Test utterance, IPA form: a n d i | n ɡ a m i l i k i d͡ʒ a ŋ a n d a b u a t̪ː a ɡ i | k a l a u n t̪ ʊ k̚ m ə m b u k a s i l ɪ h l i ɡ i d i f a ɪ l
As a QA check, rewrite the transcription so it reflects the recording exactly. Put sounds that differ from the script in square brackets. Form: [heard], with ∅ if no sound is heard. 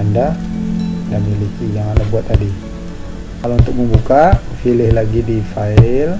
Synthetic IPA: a n d [a] | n [d] a m i l i k i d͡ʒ a ŋ a n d a b u a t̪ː a [d] i | k a l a u n t̪ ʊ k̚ m ə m b u k a [f] i l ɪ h l [a] ɡ i d i f a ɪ l